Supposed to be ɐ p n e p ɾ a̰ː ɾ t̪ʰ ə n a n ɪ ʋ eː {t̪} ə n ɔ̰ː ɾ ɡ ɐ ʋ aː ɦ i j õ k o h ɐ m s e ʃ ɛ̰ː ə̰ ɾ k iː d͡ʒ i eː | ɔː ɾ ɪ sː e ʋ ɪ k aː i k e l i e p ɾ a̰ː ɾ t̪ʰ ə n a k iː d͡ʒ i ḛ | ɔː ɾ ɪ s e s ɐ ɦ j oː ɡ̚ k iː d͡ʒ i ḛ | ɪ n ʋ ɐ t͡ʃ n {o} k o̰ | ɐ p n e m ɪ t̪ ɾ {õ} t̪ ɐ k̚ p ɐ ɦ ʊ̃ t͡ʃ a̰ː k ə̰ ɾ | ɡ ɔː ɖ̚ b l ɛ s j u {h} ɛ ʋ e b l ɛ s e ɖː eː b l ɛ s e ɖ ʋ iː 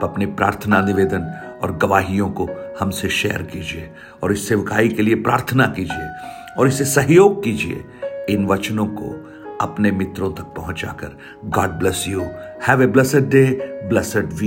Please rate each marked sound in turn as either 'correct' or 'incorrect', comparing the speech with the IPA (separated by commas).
incorrect, incorrect, correct, correct